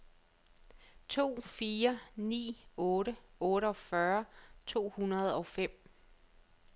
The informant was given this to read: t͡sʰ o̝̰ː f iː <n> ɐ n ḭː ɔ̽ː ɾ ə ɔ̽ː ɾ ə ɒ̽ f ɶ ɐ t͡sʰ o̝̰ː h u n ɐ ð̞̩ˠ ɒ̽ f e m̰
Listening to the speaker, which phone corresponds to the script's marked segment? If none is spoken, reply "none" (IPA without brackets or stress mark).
none